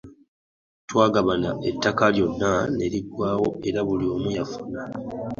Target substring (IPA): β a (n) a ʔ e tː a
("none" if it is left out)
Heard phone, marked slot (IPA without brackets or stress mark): n